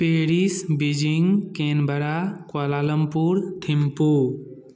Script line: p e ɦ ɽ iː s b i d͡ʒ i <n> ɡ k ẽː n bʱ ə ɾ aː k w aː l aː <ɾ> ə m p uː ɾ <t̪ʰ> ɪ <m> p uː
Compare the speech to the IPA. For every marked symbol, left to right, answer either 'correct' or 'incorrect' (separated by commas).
incorrect, incorrect, correct, correct